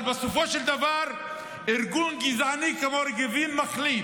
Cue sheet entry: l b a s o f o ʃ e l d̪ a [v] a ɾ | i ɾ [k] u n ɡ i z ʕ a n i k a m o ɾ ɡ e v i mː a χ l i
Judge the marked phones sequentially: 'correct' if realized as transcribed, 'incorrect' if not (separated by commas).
correct, incorrect